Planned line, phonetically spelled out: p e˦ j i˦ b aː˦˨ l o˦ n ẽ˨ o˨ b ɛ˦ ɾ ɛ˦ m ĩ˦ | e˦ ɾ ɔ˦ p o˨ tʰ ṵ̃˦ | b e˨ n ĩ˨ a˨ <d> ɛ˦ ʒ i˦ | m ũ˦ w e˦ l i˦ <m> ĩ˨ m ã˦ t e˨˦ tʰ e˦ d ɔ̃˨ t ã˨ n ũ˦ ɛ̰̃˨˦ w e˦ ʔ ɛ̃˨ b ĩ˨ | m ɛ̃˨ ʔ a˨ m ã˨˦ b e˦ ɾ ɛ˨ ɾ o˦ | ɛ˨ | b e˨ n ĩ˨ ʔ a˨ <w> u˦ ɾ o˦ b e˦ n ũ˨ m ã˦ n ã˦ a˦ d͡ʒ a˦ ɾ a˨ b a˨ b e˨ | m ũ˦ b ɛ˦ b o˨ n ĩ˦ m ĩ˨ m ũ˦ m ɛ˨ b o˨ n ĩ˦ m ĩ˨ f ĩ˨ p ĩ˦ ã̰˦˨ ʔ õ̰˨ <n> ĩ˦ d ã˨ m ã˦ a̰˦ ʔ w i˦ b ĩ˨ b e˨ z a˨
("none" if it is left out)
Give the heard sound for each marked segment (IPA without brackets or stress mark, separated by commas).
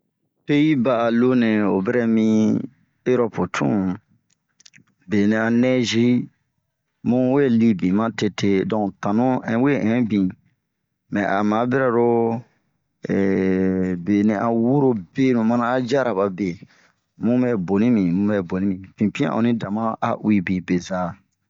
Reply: n, b, w, n